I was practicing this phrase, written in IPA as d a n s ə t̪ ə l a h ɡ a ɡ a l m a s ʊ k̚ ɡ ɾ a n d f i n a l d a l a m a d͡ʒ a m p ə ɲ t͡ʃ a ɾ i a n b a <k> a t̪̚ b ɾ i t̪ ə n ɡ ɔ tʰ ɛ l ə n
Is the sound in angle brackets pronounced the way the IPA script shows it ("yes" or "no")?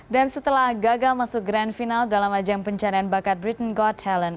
yes